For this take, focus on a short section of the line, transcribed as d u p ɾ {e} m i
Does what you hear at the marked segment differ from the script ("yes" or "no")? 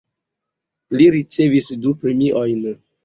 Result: no